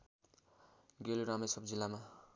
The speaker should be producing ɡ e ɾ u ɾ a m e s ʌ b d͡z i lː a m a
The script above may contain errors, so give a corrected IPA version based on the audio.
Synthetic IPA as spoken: ɡ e l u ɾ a m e s ʌ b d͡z i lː a m a